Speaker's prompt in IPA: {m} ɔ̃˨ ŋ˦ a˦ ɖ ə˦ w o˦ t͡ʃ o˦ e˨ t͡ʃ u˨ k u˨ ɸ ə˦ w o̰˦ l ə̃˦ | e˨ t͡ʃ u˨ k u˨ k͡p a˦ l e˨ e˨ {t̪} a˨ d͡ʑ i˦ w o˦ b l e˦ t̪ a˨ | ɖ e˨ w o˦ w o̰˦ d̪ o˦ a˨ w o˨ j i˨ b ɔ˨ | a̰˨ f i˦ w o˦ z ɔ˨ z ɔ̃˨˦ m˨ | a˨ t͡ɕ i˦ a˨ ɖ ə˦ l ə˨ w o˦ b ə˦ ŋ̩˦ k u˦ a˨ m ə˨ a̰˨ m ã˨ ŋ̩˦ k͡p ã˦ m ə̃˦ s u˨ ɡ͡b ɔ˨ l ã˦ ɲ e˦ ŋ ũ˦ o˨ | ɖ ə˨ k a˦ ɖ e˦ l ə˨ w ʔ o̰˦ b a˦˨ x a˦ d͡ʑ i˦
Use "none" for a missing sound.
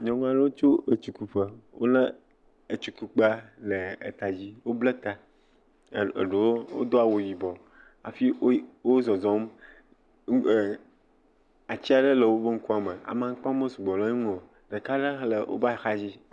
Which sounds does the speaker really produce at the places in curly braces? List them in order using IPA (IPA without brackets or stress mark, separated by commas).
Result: ɲ, t̪